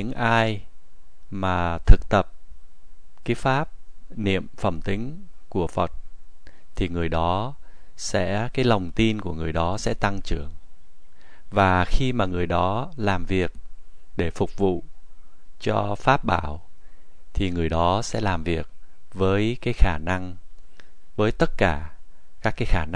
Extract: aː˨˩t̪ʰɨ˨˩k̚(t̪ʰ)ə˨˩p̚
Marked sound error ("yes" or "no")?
yes